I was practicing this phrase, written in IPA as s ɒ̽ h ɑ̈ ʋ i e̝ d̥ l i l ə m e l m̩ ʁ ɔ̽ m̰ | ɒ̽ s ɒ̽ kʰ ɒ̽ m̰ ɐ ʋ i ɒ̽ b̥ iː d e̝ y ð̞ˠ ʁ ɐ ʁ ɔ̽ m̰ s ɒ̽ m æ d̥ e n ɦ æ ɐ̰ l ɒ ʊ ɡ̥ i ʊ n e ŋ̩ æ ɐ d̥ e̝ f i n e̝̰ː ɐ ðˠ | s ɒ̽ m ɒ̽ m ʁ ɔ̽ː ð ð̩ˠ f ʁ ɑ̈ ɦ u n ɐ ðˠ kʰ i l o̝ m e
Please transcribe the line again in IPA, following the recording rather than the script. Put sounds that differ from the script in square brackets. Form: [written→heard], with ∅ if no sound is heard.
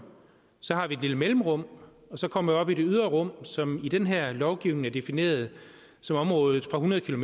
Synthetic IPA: s ɒ̽ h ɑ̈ ʋ i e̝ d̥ l i l ə m e l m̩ ʁ ɔ̽ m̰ | ɒ̽ s ɒ̽ kʰ ɒ̽ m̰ ɐ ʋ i ɒ̽ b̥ [iː→i] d e̝ y ð̞ˠ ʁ ɐ ʁ ɔ̽ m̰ s ɒ̽ m [æ→i] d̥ e n ɦ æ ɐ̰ l ɒ ʊ ɡ̥ i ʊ n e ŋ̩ æ ɐ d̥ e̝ f i n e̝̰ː ɐ ðˠ | s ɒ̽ m ɒ̽ m ʁ ɔ̽ː ð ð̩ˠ f ʁ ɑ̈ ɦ u n ɐ ðˠ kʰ i l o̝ m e